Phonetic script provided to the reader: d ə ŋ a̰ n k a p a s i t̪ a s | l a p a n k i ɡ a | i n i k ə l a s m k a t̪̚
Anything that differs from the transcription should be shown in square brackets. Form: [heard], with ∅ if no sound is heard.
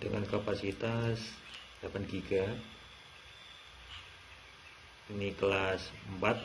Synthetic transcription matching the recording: d ə ŋ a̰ n k a p a s i t̪ a s | l a p a n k i ɡ a | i n i k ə l a s m [p] a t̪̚

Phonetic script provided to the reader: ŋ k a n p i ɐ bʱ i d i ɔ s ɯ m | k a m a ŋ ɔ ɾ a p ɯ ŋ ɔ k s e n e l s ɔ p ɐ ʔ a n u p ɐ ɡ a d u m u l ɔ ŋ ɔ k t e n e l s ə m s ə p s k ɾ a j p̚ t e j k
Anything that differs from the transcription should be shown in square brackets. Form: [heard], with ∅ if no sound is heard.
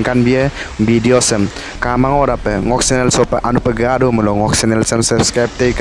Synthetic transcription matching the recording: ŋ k a n [b] i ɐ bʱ i d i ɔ s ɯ m | k a m a ŋ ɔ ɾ a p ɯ ŋ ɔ k s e n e l s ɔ p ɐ ʔ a n u p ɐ ɡ a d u m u l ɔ ŋ ɔ k [s] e n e l s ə m s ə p s k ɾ a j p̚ t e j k

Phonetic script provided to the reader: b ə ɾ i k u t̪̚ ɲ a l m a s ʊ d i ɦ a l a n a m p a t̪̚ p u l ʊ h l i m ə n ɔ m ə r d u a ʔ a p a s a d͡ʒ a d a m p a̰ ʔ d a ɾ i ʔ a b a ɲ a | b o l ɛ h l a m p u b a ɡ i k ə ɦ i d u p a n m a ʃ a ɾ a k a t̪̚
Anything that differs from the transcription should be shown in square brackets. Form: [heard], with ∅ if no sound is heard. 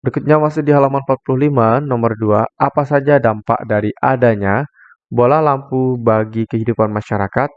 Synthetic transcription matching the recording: b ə ɾ i k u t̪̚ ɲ a [∅] m a s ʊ d i ɦ a l a [m] a [n] p a t̪̚ p u l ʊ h l i m [a] n ɔ m ə r d u a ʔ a p a s a d͡ʒ a d a m p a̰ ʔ d a ɾ i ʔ a [d] a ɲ a | b o l [a] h l a m p u b a ɡ i k ə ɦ i d u p a n m a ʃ a ɾ a k a t̪̚

